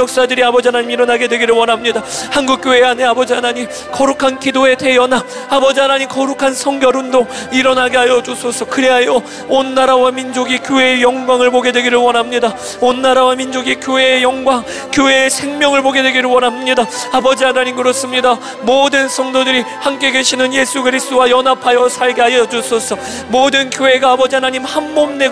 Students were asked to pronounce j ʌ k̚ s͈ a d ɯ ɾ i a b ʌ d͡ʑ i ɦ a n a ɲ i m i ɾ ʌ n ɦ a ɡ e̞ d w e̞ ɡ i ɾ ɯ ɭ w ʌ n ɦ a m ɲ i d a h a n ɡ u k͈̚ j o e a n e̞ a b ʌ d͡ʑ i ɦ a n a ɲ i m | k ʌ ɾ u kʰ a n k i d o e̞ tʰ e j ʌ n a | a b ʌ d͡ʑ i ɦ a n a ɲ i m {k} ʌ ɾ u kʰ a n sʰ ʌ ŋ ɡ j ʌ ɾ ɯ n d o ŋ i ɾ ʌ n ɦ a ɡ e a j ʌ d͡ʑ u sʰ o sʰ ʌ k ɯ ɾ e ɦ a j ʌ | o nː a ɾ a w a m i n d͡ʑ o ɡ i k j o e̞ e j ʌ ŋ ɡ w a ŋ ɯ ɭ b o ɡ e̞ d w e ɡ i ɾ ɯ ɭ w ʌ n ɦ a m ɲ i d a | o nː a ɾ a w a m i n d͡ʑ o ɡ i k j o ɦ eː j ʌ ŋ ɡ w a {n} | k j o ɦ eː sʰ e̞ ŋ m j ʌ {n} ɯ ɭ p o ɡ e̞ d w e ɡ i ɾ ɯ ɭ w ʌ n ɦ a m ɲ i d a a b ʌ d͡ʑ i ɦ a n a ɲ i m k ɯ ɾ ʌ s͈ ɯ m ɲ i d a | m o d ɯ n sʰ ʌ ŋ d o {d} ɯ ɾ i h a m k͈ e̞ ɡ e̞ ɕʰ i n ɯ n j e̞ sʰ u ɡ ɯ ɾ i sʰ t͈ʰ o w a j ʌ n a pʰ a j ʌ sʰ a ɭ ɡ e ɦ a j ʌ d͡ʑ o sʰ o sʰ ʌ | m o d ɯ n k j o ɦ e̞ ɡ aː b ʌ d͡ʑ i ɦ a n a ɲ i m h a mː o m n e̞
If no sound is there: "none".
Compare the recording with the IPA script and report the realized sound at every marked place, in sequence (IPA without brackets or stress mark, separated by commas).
k, ŋ, ŋ, d